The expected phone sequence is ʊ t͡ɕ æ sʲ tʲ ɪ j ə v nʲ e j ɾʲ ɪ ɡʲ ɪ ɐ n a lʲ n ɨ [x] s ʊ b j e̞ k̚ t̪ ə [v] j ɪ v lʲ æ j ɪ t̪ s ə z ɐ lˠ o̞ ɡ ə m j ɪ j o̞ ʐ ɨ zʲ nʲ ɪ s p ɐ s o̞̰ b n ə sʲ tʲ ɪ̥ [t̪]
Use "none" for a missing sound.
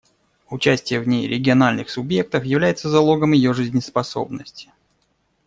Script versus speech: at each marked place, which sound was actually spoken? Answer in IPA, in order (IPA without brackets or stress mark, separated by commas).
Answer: x, f, none